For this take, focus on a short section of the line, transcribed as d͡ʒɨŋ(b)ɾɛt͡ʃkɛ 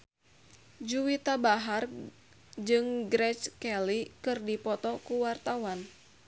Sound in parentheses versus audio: incorrect: ɡ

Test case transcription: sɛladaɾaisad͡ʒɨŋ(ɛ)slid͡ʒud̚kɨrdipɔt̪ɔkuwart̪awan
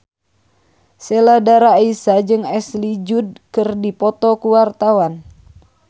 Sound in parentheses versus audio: correct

